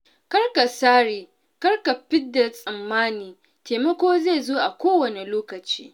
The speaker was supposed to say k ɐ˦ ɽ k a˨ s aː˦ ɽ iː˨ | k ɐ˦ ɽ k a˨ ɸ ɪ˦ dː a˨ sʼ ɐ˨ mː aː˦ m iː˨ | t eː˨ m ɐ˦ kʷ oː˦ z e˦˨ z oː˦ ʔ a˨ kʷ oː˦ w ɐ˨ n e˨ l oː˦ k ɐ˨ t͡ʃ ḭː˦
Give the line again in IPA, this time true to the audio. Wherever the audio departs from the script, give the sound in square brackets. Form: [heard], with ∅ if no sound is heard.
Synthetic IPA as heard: k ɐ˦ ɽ k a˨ s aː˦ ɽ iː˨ | k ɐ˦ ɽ k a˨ ɸ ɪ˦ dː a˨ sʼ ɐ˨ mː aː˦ [n] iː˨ | t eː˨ m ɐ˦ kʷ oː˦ z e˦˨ z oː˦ ʔ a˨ kʷ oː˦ w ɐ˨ n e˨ l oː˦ k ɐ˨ t͡ʃ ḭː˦